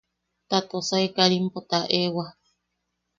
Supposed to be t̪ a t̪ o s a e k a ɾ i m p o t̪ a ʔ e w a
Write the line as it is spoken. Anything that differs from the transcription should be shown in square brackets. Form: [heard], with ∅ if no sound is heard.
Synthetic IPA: t̪ a t̪ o s a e k a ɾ i m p o t̪ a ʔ e w a